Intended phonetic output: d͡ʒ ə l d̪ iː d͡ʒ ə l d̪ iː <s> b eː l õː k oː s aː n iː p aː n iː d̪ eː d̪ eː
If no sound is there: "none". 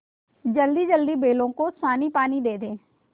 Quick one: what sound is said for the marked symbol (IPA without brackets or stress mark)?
none